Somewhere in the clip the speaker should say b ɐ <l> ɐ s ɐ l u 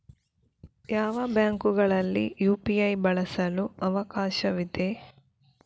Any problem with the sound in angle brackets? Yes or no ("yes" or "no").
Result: yes